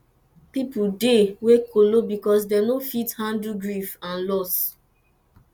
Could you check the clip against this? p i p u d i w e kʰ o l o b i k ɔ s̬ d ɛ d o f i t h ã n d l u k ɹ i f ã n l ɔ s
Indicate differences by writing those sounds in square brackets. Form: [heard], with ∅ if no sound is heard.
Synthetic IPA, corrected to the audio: p i p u d [e] w e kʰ o l o b i k ɔ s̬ d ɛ [n] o f i t h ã n d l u [ɡ] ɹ i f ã n l ɔ s